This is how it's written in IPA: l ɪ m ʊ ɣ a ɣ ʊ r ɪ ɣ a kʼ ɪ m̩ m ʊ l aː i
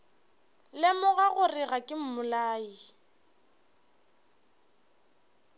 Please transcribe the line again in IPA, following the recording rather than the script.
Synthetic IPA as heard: l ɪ m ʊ ɣ a ɣ ʊ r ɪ ɣ a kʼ ɪ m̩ m ʊ l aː i